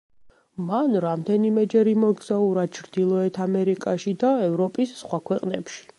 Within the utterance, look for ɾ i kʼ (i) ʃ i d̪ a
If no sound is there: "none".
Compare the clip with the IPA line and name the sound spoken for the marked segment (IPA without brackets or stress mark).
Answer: a